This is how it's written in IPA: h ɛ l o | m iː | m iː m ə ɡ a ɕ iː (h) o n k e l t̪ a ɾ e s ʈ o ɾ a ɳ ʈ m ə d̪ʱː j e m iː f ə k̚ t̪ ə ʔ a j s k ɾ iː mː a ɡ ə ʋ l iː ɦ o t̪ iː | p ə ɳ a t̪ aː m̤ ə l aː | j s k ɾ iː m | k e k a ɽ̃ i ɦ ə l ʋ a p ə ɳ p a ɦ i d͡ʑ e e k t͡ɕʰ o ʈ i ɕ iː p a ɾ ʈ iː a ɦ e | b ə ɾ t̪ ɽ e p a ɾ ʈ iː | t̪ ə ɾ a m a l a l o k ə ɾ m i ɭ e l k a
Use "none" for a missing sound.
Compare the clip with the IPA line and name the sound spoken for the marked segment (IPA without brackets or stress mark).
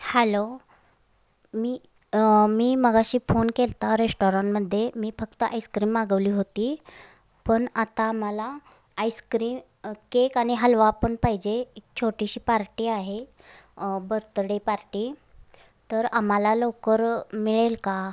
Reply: f